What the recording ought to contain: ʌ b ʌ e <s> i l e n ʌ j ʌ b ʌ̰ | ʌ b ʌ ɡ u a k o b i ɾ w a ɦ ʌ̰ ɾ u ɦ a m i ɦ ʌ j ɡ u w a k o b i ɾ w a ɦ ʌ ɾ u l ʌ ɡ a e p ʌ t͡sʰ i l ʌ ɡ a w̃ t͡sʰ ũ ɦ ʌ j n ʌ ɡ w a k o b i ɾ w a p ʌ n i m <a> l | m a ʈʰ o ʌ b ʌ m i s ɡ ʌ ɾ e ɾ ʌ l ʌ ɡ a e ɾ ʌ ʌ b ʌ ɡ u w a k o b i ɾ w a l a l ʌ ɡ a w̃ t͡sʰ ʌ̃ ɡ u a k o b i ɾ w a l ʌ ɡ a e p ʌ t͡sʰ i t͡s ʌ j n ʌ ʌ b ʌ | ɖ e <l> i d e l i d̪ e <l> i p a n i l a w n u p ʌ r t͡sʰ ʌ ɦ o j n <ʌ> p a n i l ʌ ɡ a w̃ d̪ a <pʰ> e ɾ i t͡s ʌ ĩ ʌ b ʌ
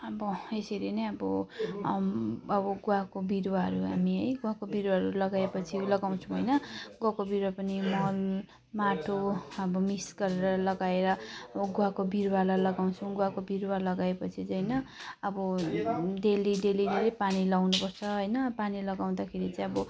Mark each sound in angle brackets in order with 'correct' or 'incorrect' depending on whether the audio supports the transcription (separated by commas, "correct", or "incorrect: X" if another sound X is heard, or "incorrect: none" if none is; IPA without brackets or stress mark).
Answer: correct, incorrect: ʌ, correct, correct, correct, incorrect: kʰ